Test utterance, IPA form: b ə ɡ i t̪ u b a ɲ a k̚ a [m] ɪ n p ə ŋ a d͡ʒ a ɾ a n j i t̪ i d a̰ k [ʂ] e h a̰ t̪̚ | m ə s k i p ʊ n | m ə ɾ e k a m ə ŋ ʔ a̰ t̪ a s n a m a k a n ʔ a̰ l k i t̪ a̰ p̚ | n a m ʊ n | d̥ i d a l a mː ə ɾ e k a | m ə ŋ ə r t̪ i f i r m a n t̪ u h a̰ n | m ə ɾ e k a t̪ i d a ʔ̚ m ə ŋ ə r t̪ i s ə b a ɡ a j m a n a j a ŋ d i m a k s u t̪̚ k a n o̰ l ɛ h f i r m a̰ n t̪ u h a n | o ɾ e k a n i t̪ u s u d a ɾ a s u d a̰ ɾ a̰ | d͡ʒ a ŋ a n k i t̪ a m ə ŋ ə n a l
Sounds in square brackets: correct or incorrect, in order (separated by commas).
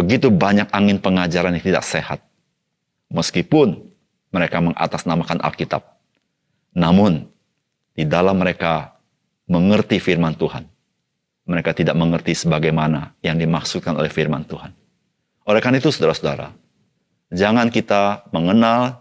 incorrect, incorrect